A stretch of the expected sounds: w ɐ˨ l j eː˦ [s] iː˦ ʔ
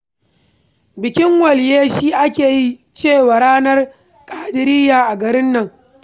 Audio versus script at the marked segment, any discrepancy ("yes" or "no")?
yes